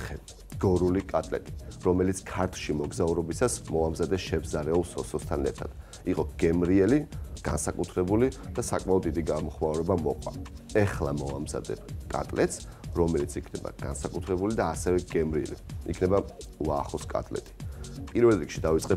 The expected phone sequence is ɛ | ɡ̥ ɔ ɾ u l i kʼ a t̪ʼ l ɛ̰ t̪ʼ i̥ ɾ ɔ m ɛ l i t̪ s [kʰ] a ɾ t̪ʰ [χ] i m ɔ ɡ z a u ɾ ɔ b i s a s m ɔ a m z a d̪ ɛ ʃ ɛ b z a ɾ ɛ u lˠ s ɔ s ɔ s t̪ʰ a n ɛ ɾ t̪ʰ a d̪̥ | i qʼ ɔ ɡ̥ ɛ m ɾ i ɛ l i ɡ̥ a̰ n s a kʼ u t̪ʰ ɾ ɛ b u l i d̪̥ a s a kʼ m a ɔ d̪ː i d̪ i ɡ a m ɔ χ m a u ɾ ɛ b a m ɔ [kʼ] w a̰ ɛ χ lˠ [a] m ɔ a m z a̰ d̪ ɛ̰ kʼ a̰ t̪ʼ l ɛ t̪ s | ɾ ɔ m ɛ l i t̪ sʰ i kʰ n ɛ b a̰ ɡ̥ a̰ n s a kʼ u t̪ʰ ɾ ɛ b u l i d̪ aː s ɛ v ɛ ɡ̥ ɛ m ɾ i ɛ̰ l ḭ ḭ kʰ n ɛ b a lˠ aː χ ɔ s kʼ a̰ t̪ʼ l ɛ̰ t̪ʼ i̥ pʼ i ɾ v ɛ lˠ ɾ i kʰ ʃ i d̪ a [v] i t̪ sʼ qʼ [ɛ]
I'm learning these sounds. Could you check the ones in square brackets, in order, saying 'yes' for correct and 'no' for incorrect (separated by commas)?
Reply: yes, no, no, yes, yes, yes